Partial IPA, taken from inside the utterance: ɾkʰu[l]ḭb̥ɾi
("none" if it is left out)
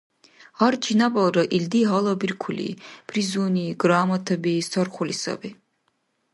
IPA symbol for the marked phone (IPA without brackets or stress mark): l